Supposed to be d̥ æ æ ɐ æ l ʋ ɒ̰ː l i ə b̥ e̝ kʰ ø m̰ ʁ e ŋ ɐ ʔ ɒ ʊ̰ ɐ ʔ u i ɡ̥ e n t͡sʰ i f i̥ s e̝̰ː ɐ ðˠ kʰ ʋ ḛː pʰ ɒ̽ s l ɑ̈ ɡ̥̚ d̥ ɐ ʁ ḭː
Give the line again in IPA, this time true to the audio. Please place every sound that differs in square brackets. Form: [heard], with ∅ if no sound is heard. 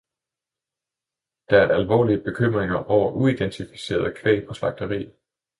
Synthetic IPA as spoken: d̥ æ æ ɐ æ l ʋ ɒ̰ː l i ə b̥ e̝ kʰ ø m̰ ʁ e ŋ ɐ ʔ ɒ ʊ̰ ɐ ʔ u i [d̥] e n t͡sʰ i f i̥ s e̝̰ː ɐ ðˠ kʰ ʋ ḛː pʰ ɒ̽ s l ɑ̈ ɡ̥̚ d̥ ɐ ʁ ḭː